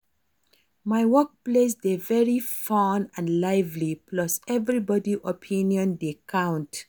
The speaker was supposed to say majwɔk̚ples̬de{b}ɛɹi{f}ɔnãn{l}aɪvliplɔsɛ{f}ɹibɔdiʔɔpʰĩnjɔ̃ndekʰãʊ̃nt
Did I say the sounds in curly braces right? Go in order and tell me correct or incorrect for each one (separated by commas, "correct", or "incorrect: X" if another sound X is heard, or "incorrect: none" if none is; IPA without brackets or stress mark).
incorrect: v, correct, correct, incorrect: v